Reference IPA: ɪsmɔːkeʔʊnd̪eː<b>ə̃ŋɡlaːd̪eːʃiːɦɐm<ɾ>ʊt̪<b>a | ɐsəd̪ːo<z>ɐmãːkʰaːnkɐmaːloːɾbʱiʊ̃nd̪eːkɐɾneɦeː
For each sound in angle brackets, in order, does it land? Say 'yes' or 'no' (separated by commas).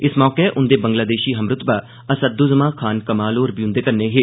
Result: yes, yes, yes, yes